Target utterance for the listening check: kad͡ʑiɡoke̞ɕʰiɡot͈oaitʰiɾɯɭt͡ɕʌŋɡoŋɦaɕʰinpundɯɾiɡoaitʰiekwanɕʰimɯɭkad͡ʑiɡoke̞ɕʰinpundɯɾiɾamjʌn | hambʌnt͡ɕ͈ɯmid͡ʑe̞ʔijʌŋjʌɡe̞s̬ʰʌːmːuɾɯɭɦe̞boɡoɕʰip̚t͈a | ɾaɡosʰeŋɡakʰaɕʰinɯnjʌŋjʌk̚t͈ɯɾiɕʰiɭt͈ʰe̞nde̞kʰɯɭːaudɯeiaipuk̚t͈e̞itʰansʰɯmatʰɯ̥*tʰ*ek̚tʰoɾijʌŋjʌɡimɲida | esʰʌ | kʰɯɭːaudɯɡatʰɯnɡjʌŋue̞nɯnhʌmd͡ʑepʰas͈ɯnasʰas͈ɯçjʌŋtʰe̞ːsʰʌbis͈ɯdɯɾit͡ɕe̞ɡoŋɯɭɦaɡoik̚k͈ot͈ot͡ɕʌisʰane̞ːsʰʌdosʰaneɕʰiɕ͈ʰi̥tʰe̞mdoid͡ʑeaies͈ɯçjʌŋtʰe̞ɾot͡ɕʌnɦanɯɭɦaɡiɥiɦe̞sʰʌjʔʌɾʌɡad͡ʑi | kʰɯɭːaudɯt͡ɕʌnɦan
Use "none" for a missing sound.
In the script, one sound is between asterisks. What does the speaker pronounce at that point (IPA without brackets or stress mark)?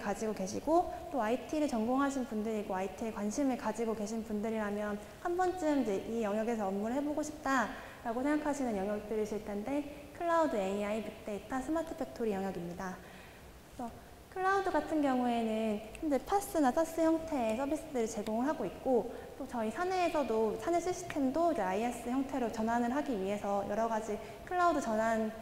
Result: pʰ